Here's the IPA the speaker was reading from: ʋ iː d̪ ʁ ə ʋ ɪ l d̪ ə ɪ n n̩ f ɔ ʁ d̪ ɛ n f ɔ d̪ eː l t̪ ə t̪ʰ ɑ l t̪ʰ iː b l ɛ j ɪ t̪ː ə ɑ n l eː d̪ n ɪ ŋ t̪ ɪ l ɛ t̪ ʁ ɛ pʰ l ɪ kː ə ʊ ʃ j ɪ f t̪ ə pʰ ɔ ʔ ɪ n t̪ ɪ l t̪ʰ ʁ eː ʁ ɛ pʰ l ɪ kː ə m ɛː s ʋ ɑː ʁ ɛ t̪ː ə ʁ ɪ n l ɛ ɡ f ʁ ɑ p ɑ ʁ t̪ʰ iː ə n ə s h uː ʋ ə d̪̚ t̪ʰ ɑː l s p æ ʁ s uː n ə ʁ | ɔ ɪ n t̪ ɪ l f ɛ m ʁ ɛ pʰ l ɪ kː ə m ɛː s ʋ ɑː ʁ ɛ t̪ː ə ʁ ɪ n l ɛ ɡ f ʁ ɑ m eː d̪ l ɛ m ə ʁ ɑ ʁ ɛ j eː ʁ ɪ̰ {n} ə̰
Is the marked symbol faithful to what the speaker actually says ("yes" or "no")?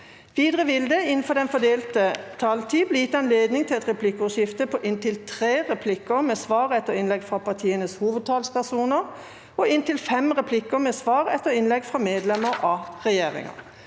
no